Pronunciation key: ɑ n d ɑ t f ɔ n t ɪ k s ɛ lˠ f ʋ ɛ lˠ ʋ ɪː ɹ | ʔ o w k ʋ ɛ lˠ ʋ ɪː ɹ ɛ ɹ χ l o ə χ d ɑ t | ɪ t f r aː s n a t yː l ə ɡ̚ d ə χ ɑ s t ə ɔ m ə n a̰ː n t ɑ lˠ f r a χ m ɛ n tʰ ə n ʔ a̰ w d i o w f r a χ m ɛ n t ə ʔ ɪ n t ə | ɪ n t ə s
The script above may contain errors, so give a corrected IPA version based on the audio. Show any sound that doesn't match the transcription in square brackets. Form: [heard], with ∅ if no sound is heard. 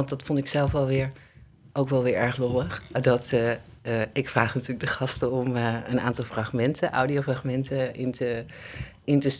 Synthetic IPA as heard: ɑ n d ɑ t f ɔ n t ɪ k s ɛ lˠ f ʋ ɛ lˠ ʋ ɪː ɹ | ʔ o w k ʋ ɛ lˠ ʋ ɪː ɹ ɛ ɹ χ l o ə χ d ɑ t | ɪ [k] f r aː [χ] n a t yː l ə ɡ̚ d ə χ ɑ s t ə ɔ m ə n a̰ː n t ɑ lˠ f r a χ m ɛ n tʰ ə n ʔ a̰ w d i o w f r a χ m ɛ n t ə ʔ ɪ n t ə | ɪ n t ə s